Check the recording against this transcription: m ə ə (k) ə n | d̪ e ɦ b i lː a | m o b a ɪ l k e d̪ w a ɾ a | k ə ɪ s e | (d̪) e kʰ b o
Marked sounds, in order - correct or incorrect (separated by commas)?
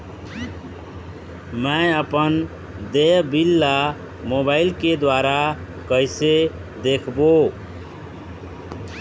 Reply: incorrect, correct